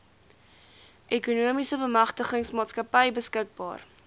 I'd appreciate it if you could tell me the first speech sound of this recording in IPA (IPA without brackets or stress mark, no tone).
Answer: ʔ